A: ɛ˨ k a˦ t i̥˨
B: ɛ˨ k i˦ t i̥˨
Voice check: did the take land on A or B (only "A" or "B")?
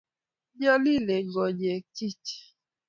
B